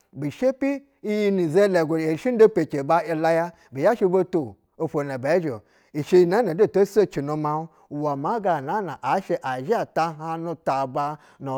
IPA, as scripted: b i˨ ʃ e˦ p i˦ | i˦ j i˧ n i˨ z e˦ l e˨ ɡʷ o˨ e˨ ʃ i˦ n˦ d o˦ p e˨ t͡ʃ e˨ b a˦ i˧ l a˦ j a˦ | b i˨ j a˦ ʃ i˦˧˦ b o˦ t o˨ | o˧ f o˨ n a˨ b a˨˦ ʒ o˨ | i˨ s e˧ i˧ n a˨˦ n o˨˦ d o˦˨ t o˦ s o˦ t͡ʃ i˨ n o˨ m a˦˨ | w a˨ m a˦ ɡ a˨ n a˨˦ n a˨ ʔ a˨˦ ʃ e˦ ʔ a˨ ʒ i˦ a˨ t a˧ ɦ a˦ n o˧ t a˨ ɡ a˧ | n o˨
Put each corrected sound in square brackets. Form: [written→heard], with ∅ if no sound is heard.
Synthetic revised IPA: b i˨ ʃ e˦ p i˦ | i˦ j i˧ n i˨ z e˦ l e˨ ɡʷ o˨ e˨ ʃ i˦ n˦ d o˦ p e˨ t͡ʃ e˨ b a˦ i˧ l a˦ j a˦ | b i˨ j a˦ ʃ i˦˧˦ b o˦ t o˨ | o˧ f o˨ n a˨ b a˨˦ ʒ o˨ | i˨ [s→ʃ] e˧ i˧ n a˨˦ n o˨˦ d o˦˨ t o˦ s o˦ t͡ʃ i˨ n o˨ m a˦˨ | w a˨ m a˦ ɡ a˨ n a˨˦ n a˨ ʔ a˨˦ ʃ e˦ ʔ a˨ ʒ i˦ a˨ t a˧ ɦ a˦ n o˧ t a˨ [ɡ→b] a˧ | n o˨